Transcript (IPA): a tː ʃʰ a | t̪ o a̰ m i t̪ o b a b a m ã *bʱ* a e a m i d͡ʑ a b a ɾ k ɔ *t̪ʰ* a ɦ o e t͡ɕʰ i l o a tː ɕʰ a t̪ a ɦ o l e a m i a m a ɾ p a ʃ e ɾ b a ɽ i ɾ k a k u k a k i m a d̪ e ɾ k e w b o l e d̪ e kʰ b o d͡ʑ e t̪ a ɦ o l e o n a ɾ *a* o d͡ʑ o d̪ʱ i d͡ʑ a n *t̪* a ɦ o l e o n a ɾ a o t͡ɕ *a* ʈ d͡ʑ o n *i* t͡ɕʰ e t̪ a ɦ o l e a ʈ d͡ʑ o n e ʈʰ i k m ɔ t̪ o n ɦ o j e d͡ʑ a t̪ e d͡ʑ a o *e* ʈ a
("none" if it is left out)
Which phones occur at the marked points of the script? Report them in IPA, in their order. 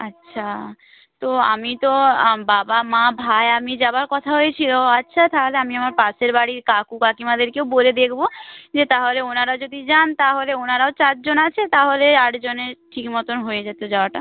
bʱ, t̪ʰ, a, t̪, a, a, a

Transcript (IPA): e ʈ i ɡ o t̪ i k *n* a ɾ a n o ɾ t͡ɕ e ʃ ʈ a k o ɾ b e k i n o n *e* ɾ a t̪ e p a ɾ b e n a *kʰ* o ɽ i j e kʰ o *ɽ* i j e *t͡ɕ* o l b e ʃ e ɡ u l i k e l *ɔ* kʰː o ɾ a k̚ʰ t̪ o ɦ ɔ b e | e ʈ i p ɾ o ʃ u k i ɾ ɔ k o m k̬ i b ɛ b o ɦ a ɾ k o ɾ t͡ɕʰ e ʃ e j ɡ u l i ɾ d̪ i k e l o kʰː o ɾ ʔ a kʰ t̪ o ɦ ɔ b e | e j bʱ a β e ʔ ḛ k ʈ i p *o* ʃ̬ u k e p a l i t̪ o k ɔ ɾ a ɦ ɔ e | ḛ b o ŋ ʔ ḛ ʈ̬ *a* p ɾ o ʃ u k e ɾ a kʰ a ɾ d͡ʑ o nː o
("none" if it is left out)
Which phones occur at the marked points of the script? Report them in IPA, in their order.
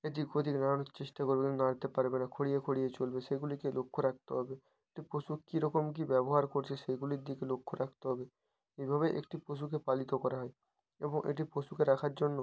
n, a, kʰ, ɽ, t͡ɕ, o, o, i

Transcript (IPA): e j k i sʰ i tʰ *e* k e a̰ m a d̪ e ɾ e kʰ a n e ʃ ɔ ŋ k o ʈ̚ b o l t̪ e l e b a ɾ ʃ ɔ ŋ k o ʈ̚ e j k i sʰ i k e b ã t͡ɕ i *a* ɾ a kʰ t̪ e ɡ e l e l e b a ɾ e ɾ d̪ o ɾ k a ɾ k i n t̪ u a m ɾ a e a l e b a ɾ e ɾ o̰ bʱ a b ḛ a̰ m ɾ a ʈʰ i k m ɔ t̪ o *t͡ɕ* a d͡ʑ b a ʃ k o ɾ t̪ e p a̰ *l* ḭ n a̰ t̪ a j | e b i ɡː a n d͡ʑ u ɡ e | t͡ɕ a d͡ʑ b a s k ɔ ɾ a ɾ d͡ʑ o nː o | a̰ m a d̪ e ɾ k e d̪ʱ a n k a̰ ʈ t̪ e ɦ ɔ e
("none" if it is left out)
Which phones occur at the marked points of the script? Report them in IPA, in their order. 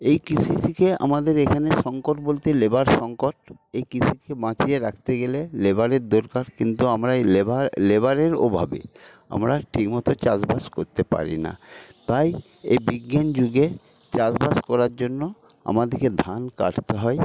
i, e, t͡ɕ, ɾ

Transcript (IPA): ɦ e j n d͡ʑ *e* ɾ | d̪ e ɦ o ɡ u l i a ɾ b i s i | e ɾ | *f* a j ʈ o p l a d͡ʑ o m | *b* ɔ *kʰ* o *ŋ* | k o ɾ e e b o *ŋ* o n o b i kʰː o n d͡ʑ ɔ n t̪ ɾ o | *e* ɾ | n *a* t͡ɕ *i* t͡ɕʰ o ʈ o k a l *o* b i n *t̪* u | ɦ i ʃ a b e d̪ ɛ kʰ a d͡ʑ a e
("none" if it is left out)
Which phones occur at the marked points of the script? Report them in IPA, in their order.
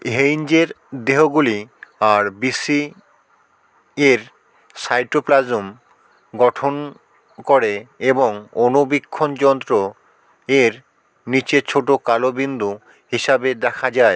e, s, ɡ, ʈʰ, n, ŋ, e, i, e, o, d̪

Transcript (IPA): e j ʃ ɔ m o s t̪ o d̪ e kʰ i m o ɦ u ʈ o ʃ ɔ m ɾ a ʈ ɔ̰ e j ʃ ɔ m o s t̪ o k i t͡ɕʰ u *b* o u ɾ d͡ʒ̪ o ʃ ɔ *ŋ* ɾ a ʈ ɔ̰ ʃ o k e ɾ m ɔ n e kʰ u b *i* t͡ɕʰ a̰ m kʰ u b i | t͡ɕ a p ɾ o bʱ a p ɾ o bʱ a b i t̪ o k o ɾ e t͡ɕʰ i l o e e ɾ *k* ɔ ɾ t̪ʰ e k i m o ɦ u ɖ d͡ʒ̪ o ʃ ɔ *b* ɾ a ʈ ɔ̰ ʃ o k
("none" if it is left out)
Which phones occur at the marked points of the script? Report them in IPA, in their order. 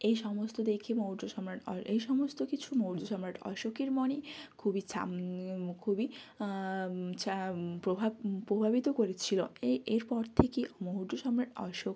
m, m, i, p, m

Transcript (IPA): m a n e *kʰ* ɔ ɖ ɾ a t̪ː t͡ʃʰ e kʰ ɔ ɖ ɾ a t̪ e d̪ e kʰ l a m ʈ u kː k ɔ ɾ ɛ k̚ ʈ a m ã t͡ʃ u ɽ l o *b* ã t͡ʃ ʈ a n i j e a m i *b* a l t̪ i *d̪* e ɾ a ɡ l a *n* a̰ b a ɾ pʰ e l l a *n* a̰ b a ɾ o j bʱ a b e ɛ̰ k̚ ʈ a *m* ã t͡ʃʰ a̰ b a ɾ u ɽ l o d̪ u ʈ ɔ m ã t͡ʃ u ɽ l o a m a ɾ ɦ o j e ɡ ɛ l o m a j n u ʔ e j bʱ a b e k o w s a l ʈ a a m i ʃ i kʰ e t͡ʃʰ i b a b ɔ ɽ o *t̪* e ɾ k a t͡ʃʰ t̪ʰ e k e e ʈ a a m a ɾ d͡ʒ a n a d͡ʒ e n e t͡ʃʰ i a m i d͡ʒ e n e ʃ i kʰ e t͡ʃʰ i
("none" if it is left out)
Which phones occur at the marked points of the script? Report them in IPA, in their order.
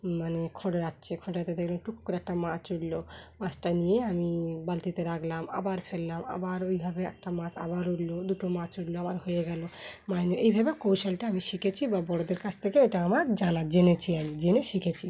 kʰ, m, b, t̪, m, m, m, d̪

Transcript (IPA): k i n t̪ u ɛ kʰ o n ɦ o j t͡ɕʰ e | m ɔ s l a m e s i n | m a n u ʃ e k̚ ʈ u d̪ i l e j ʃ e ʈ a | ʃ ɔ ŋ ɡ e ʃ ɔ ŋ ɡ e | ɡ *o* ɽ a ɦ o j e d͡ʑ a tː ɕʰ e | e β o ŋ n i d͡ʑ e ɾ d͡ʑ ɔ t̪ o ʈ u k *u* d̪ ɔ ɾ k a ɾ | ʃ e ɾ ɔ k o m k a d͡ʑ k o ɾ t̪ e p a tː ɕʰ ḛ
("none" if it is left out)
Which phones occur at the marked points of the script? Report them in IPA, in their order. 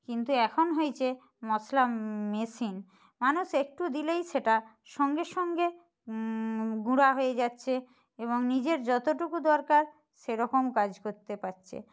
u, u

